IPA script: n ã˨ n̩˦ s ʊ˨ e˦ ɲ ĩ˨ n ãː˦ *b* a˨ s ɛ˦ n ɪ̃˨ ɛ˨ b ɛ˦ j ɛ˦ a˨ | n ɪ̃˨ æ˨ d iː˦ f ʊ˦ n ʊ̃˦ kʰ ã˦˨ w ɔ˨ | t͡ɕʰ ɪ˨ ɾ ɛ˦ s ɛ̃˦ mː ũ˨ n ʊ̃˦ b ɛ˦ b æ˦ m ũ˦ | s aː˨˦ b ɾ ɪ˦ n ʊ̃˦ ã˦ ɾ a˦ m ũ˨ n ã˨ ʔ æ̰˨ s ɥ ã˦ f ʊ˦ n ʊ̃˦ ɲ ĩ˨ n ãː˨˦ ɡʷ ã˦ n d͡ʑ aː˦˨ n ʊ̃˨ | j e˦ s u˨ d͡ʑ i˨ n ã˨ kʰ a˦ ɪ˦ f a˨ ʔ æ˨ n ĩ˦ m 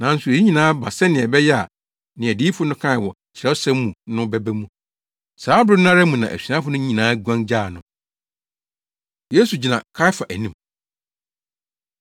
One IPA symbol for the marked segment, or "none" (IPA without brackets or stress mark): b